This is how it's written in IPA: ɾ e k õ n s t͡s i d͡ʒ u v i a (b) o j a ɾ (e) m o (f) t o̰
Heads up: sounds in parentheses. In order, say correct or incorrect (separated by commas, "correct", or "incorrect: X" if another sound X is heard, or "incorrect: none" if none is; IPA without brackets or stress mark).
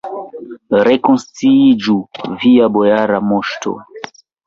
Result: correct, incorrect: a, incorrect: ʃ